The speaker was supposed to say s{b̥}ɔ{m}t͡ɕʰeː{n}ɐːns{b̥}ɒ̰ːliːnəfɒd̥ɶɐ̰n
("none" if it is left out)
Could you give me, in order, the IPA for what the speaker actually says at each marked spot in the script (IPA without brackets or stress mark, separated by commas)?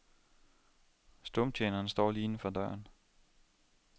d̥, m, n, d̥